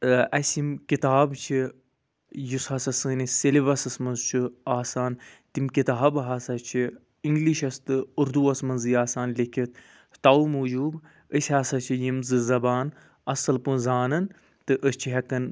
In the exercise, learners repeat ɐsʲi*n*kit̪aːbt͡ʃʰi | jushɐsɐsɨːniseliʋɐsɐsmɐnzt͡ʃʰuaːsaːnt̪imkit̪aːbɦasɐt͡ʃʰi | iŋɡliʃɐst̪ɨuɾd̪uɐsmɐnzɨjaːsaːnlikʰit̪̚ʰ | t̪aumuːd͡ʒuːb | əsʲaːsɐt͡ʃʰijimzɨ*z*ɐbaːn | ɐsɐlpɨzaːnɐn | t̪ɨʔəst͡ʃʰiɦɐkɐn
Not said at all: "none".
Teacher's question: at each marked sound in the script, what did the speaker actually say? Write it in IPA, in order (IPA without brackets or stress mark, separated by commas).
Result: m, z